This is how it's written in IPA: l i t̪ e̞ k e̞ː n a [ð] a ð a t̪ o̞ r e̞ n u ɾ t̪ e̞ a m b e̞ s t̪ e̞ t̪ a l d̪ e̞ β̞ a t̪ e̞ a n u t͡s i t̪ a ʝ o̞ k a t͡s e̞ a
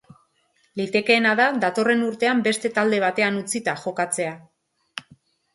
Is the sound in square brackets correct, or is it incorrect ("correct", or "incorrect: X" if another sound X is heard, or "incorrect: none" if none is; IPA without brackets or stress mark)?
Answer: correct